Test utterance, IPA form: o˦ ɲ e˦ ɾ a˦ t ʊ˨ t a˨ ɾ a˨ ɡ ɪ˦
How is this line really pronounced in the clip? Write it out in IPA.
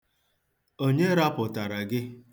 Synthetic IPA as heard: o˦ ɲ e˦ ɾ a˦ p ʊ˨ t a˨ ɾ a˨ ɡ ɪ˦